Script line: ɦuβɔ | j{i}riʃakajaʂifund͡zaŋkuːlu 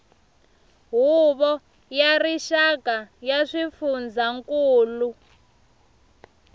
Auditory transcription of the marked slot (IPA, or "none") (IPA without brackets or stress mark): a